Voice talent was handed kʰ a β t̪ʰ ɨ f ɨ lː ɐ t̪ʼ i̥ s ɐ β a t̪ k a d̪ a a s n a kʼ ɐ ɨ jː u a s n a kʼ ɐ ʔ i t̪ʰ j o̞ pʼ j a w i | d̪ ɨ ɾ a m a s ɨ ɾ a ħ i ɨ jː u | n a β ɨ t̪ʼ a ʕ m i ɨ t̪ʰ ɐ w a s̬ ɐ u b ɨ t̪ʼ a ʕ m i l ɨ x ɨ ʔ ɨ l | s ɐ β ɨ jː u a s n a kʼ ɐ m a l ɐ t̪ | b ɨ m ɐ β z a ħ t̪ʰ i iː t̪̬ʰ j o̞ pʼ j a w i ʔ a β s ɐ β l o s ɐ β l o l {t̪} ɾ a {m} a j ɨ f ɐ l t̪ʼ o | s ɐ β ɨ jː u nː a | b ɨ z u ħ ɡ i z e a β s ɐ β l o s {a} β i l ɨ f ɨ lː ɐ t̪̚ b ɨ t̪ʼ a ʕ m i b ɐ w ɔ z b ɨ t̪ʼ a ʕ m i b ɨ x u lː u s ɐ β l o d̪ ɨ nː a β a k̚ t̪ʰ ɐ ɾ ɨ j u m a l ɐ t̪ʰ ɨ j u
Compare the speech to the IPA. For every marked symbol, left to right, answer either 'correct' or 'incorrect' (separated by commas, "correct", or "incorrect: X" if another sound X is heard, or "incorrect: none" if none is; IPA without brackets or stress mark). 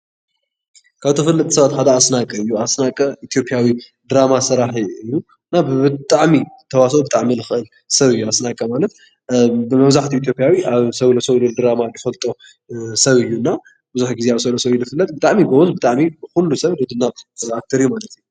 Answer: incorrect: d̪, correct, incorrect: ɐ